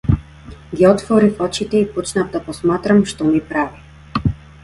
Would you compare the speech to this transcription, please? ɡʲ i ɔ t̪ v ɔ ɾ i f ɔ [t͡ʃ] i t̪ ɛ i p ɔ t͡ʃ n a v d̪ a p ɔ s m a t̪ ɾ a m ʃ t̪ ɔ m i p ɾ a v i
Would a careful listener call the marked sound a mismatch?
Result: no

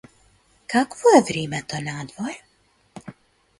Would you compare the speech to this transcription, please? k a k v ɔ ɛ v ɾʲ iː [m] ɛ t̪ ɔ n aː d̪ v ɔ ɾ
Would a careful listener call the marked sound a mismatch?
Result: no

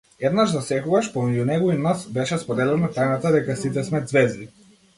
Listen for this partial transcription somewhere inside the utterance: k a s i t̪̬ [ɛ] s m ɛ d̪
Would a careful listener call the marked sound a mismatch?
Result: no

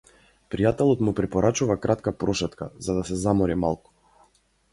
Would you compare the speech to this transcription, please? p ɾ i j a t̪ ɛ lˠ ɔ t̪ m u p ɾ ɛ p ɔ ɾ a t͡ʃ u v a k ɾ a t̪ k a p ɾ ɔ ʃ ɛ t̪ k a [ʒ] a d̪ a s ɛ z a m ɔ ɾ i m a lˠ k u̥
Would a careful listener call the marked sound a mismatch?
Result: yes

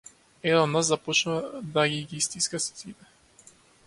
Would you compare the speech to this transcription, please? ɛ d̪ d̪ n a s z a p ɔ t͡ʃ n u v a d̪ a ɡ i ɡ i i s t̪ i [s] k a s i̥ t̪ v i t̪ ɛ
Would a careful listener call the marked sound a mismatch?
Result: no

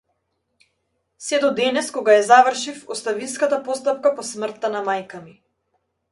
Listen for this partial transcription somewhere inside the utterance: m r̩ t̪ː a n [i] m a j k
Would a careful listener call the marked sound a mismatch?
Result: yes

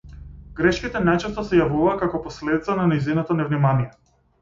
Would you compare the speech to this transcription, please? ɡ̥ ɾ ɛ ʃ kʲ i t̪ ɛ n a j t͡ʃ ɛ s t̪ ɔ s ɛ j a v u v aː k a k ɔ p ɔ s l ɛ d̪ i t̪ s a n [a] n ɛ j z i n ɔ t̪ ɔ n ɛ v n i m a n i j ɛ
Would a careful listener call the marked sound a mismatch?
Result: no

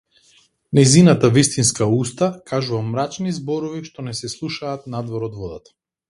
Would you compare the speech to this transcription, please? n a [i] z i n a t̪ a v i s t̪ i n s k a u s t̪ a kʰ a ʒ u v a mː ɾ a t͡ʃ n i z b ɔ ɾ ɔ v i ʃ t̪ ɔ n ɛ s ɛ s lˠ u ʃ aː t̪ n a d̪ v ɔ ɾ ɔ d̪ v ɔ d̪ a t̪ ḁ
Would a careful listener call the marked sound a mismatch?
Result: yes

